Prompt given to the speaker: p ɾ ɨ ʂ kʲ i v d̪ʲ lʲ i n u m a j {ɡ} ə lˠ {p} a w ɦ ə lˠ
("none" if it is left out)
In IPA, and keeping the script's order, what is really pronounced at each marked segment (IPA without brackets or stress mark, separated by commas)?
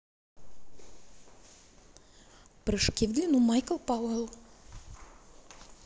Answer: k, p